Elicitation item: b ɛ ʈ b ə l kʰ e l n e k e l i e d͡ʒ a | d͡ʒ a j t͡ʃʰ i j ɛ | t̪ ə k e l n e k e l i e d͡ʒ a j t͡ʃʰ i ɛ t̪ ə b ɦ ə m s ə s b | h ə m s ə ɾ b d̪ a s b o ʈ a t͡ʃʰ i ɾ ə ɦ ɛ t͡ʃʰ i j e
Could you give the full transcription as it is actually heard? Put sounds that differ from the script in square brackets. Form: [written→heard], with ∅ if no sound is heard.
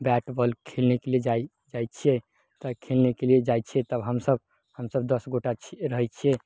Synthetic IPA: b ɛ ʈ b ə l kʰ e l n e k e l i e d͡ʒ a | d͡ʒ a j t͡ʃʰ i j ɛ | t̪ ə [k→kʰ] e l n e k e l i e d͡ʒ a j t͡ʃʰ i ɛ t̪ ə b ɦ ə m s ə [s→∅] b | h ə m s ə [ɾ→∅] b d̪ [a→ə] s [b→ɡ] o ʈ a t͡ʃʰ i ɾ ə ɦ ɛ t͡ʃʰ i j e